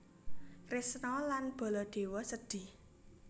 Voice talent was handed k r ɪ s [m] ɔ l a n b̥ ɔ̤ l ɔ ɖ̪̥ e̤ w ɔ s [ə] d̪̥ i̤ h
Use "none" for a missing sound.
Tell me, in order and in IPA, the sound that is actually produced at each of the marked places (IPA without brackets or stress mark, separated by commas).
n, ə